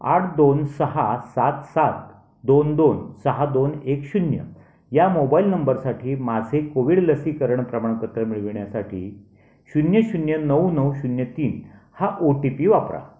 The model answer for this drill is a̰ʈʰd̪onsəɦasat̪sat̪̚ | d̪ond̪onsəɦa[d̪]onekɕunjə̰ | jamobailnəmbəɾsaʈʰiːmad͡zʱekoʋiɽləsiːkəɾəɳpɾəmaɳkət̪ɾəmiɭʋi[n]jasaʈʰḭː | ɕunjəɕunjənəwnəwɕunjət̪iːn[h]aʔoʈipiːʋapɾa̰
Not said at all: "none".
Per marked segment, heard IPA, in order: d̪, ɳ, h

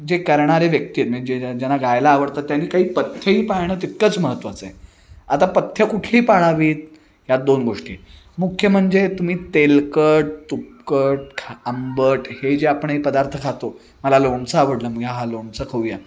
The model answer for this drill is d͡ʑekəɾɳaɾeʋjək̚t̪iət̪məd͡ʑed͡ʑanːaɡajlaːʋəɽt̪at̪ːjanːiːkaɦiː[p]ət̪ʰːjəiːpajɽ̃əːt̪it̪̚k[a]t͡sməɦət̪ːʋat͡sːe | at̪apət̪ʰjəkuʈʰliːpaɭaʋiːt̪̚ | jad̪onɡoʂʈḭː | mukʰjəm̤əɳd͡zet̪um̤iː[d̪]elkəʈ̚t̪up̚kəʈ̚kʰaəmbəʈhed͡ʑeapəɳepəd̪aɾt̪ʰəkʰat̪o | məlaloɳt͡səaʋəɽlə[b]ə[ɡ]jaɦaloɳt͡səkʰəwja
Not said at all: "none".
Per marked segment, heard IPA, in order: p, ə, t̪, m, ɡ

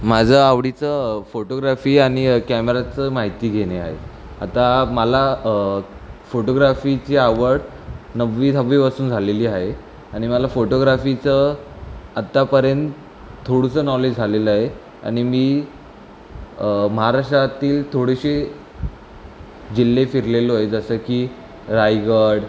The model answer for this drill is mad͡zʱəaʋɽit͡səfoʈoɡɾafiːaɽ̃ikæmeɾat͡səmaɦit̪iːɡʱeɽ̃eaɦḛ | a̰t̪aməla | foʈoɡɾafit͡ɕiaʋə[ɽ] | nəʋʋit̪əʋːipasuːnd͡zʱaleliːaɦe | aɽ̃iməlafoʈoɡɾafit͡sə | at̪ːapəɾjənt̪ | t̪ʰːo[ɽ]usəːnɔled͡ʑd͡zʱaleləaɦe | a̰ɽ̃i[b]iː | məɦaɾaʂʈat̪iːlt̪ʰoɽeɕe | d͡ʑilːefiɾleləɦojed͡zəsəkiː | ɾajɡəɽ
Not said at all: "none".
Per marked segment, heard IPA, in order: ɽ, ɽ, m

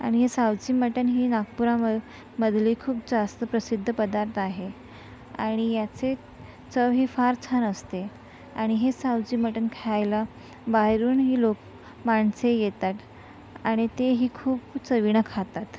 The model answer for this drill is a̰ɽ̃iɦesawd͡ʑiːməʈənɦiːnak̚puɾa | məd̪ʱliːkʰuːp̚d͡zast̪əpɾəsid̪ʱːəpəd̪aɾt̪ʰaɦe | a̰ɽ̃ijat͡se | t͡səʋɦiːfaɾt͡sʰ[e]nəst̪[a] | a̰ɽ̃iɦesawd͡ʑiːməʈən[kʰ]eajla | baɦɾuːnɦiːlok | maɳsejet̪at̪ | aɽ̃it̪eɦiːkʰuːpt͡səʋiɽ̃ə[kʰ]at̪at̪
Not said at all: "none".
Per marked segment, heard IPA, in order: a, e, kʰ, kʰ

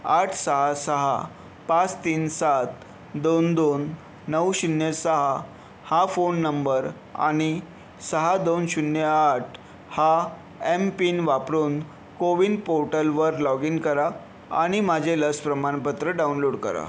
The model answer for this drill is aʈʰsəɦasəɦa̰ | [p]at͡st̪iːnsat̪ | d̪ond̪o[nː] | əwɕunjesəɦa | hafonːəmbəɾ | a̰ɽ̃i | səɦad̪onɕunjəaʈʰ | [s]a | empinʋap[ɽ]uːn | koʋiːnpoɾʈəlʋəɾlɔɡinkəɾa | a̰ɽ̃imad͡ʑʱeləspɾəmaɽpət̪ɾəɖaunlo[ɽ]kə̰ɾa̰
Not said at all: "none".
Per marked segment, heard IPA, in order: p, nː, h, ɾ, ɽ

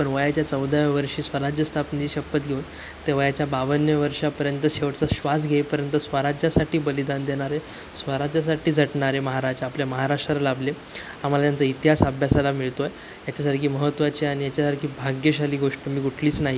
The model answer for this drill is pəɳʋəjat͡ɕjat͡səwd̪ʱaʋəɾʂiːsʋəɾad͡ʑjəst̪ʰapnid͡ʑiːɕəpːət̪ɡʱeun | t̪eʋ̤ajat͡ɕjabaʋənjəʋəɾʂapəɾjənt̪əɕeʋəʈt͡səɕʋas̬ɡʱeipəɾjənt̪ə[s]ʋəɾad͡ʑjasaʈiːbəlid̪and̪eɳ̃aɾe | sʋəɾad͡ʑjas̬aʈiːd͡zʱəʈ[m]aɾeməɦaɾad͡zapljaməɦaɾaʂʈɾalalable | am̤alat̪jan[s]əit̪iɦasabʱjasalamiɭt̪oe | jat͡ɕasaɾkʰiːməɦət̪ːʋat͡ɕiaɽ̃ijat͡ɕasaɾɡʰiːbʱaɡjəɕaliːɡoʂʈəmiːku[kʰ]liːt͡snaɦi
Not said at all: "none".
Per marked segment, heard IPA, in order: s, ɳ, t͡s, ʈʰ

